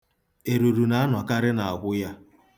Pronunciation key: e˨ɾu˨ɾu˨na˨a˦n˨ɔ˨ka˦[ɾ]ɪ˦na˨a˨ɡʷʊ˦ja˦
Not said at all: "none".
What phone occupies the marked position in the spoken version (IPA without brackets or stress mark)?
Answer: ɾ